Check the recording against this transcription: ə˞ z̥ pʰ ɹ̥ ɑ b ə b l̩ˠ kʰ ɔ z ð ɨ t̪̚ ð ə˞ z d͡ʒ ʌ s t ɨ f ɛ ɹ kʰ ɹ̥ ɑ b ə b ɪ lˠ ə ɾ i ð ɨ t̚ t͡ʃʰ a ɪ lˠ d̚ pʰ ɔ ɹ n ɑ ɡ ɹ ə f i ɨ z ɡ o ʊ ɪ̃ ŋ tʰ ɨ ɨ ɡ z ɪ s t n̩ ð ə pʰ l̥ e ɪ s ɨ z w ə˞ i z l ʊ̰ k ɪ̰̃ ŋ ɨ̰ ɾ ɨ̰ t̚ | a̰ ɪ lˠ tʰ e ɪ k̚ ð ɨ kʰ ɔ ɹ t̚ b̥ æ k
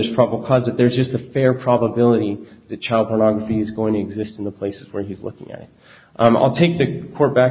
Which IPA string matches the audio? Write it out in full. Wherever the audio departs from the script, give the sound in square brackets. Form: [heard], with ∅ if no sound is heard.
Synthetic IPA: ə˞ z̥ pʰ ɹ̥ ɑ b ə b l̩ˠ kʰ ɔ z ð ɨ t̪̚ ð ə˞ z d͡ʒ ʌ s t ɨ f ɛ ɹ [pʰ] ɹ̥ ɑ b ə b ɪ lˠ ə ɾ i ð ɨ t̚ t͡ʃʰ a ɪ lˠ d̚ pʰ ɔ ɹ n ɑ ɡ ɹ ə f i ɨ z ɡ o ʊ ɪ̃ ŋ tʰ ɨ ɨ ɡ z ɪ s t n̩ ð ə pʰ l̥ e ɪ s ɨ z w ə˞ i z l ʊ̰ k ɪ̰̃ ŋ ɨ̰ ɾ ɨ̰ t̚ | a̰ ɪ lˠ tʰ e ɪ k̚ ð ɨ kʰ ɔ ɹ t̚ b̥ æ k